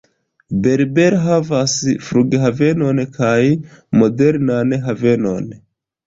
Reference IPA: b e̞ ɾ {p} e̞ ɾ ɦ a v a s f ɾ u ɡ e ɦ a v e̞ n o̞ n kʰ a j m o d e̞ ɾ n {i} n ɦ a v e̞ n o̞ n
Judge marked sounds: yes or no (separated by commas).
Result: no, no